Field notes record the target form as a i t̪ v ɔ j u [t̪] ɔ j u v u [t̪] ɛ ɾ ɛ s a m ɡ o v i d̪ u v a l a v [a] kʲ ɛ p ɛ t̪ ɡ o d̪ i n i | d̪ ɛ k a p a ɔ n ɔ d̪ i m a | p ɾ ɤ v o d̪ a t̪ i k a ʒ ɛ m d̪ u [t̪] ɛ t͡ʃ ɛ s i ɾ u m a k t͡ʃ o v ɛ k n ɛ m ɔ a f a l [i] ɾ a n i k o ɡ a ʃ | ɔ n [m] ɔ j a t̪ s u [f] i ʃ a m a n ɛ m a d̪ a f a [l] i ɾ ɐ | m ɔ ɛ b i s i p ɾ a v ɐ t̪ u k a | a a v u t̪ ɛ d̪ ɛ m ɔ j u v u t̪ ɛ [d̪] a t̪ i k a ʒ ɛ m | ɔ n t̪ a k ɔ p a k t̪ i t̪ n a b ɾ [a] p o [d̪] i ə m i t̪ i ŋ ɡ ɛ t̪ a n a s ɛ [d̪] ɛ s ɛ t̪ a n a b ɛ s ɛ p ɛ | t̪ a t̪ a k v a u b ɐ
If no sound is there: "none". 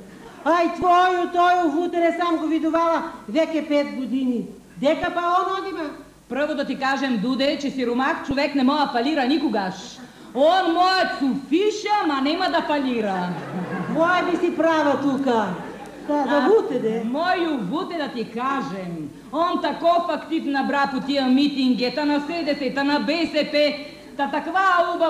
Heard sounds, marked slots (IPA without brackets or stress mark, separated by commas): t̪, t̪, ɛ, d̪, i, m, f, l, d̪, a, t̪, d̪